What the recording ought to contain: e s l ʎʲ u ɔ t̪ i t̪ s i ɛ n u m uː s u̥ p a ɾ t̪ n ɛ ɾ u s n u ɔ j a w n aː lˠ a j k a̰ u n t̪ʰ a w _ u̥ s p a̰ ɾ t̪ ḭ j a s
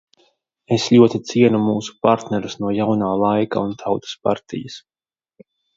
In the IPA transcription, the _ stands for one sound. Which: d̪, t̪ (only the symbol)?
t̪